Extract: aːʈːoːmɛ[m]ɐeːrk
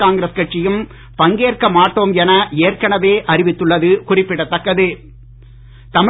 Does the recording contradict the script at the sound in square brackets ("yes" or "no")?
yes